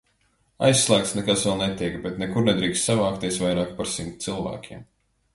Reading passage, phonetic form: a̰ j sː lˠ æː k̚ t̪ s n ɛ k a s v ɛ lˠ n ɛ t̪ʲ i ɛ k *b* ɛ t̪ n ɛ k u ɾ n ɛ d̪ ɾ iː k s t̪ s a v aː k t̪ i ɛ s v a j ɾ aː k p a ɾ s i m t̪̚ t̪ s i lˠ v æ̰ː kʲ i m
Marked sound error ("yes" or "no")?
no